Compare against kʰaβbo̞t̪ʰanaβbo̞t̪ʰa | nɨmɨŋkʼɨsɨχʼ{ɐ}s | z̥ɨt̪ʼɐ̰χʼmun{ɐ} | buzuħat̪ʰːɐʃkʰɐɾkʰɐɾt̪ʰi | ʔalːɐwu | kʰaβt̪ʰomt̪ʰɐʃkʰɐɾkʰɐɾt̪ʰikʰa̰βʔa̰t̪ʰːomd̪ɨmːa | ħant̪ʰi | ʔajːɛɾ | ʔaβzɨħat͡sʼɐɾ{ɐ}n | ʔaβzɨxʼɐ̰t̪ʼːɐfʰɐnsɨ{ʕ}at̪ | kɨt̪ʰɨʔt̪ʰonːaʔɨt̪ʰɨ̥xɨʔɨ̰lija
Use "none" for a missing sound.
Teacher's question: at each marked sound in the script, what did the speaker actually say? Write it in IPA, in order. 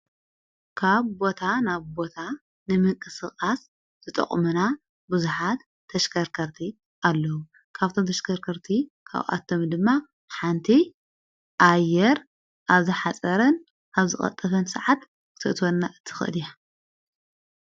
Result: a, a, ɐ, ʕ

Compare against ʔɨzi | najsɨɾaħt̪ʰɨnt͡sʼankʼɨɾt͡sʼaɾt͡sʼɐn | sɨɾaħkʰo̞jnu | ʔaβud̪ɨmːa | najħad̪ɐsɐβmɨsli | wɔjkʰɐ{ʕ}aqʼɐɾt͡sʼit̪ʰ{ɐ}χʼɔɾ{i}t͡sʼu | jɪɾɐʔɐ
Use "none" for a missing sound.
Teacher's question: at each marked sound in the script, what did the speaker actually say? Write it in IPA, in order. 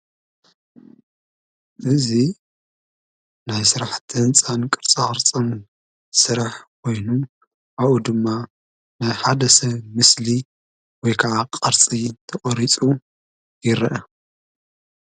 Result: ʕ, ɐ, i

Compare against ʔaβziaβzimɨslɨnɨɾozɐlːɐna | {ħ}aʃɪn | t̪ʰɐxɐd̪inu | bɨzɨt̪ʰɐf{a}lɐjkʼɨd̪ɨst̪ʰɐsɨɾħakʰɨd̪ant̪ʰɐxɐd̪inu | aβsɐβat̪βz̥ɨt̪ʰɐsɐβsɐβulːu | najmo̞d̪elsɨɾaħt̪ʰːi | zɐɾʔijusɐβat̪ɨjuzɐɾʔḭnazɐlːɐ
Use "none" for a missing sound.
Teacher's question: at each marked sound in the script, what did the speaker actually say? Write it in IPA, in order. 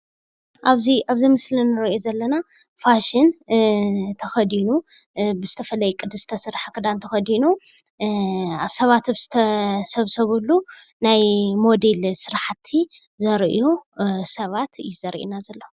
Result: f, ɐ

